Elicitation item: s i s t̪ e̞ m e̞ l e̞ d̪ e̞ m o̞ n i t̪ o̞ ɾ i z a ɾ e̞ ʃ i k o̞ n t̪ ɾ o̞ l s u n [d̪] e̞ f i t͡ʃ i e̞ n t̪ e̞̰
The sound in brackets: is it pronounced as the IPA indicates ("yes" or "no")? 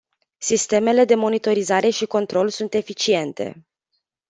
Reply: no